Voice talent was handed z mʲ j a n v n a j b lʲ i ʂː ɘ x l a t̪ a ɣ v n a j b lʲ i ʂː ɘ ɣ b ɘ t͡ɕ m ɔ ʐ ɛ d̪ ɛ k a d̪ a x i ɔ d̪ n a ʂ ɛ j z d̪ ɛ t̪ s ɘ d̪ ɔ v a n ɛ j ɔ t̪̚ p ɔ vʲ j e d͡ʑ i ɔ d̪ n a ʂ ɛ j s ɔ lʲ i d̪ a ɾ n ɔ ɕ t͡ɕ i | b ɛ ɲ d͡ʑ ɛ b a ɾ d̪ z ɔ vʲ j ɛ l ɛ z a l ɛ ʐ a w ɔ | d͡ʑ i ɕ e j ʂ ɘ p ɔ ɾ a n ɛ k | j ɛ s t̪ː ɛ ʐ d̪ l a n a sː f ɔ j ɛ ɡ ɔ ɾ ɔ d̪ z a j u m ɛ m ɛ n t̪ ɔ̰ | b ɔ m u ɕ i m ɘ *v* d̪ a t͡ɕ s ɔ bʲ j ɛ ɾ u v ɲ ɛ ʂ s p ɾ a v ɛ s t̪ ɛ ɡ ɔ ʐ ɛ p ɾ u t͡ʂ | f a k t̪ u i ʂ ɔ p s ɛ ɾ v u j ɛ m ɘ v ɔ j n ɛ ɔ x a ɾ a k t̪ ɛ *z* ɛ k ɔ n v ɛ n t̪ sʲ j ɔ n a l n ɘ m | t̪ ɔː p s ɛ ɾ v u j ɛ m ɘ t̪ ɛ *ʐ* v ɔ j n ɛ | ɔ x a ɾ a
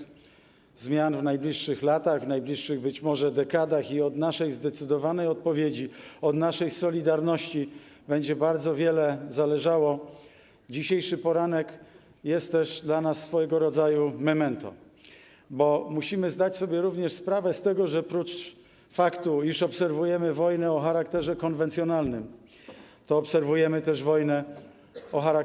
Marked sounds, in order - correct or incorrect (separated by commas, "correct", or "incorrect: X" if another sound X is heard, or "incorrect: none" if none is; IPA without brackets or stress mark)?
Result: incorrect: z, incorrect: ʐ, correct